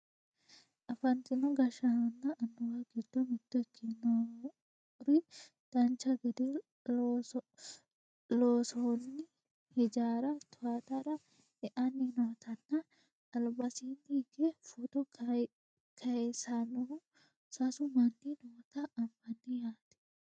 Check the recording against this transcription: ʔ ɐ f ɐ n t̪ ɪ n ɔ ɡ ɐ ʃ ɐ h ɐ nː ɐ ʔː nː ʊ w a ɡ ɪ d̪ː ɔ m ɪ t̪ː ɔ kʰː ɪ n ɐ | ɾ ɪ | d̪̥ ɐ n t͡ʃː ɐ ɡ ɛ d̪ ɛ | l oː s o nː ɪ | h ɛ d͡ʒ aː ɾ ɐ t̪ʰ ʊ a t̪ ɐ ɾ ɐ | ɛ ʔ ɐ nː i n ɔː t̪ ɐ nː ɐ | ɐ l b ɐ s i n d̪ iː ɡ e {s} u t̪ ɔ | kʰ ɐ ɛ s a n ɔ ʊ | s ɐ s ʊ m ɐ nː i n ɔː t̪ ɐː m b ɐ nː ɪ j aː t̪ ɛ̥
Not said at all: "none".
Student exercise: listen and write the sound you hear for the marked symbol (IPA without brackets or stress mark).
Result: f